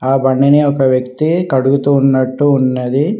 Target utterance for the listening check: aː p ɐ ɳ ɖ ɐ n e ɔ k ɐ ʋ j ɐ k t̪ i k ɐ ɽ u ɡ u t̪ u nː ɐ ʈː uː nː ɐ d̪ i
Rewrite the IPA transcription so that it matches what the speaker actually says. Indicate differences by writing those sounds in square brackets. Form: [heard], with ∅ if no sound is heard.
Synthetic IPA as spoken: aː [b] ɐ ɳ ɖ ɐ n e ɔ k ɐ ʋ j ɐ k t̪ i k ɐ ɽ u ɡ u t̪ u nː ɐ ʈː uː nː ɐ d̪ i